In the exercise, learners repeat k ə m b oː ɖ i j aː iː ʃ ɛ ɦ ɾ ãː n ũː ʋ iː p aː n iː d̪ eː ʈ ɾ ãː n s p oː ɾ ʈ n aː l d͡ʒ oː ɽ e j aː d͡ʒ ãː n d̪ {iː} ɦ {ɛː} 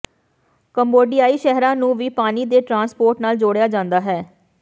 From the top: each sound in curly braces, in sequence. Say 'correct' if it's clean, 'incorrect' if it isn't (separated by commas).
incorrect, correct